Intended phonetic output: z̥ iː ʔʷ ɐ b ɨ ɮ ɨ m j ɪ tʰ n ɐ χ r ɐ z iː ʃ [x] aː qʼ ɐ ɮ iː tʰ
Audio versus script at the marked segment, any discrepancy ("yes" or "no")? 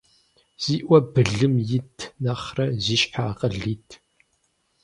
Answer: yes